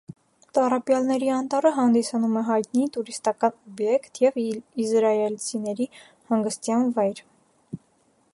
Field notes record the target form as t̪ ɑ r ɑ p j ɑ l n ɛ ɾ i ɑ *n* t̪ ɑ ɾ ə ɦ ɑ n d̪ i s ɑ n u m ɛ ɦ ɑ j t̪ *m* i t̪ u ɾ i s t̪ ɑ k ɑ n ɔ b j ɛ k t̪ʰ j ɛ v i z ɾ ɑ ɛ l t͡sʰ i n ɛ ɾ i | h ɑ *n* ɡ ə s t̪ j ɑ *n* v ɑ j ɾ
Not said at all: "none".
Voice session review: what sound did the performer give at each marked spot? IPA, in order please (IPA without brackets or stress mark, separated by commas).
n, n, ŋ, n